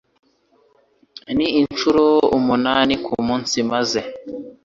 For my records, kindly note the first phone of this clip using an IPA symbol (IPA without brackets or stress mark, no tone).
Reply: n